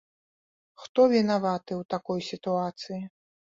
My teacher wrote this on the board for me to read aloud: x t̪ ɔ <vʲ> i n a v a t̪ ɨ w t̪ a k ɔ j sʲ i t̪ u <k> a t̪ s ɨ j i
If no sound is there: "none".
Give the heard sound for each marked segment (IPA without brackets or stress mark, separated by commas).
vʲ, none